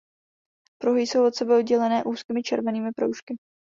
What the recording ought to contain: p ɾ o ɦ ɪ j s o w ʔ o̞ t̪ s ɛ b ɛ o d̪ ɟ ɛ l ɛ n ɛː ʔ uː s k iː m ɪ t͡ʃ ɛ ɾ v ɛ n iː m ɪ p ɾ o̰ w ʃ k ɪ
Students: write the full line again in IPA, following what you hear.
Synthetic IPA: p ɾ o ɦ ɪ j s o w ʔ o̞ t̪ s ɛ b ɛ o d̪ ɟ ɛ l ɛ n ɛː ʔ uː s k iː m ɪ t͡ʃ ɛ ɾ v ɛ n iː m ɪ p ɾ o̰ w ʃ k ɪ